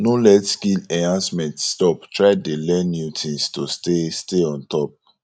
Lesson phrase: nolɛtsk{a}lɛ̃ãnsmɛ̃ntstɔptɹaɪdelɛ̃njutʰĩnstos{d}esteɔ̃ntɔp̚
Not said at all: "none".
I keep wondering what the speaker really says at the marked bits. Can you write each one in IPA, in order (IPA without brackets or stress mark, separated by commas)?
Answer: i, t